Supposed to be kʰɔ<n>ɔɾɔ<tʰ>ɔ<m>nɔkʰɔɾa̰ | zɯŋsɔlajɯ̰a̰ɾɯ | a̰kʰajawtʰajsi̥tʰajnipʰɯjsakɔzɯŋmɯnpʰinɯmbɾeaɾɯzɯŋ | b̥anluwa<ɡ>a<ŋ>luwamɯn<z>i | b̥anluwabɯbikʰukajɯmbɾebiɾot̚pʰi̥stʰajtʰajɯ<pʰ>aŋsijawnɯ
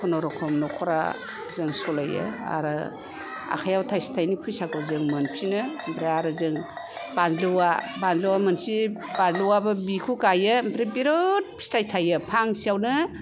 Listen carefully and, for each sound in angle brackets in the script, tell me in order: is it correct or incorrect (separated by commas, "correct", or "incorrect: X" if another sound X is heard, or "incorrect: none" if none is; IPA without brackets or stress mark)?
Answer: correct, incorrect: kʰ, correct, incorrect: b, incorrect: n, incorrect: s, correct